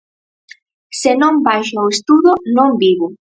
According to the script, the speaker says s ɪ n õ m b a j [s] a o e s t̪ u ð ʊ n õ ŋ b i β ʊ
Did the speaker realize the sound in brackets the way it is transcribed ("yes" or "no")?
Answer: no